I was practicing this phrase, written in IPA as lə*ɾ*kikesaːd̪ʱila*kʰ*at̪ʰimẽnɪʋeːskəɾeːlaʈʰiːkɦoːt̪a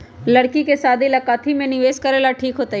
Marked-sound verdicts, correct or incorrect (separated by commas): incorrect, incorrect